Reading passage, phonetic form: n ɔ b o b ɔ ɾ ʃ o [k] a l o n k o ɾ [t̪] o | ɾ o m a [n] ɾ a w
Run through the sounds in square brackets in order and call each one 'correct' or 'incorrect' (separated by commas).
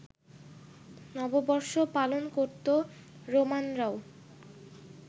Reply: incorrect, correct, correct